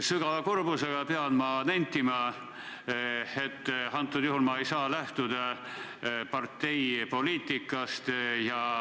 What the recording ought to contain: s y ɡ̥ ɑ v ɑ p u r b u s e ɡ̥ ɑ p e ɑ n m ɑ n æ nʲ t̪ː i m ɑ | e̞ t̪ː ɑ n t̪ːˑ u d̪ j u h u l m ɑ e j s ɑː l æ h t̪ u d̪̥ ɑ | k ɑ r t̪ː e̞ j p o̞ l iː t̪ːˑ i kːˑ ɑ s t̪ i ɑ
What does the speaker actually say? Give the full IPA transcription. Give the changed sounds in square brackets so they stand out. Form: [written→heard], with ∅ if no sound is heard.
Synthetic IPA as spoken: s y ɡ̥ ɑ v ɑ [p→k] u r b u s e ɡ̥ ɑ p e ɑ n m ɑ n æ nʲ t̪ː i m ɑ | e̞ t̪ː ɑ n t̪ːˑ u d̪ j u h u l m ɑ e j s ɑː l æ h t̪ u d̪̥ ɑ | [k→p] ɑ r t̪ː e̞ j p o̞ l iː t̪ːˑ i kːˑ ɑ s t̪ [i→j] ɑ